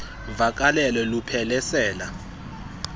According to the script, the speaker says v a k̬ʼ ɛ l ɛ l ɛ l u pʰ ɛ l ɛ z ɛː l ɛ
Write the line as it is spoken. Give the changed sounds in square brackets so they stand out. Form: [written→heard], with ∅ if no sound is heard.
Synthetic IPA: v a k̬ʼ [ɛ→a] l ɛ l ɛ l u pʰ ɛ l ɛ [z→s] ɛː l [ɛ→a]